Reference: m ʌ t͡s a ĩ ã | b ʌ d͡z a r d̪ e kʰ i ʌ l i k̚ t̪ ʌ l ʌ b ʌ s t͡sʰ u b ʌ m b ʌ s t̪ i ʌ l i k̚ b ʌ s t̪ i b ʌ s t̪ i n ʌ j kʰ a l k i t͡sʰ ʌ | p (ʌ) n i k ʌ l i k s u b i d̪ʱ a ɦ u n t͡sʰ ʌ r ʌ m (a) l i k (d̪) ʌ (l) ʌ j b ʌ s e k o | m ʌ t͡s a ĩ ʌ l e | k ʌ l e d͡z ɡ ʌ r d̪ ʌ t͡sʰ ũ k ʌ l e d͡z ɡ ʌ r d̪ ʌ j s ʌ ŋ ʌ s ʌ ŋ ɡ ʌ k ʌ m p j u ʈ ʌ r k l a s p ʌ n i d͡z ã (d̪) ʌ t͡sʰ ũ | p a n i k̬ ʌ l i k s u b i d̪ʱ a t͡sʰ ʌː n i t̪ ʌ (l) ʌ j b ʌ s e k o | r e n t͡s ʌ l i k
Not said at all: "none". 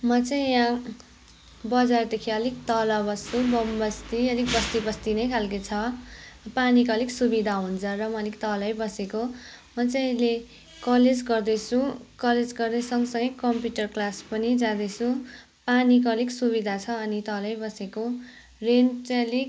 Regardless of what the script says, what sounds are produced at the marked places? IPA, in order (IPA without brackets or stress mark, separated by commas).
a, ʌ, t̪, l, d̪, l